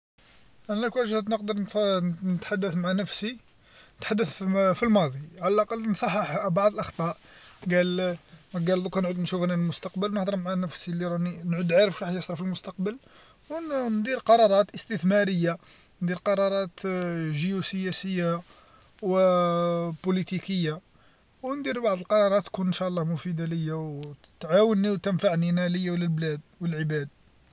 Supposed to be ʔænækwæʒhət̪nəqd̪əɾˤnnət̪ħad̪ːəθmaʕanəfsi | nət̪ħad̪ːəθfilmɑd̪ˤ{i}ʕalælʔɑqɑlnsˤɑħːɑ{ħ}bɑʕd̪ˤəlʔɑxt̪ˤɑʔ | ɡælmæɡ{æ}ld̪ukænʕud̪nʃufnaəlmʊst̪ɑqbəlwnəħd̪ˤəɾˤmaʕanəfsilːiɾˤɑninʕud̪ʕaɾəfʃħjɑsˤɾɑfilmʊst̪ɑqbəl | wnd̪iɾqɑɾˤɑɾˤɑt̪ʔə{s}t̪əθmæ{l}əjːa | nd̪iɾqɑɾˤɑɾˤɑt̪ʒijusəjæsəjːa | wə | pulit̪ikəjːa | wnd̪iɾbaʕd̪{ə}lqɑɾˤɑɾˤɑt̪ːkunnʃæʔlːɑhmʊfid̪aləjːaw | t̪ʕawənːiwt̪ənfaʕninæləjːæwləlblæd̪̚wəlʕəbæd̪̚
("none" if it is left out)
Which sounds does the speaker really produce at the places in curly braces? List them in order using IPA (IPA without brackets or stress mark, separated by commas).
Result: i, ħ, æ, s, ɾ, ə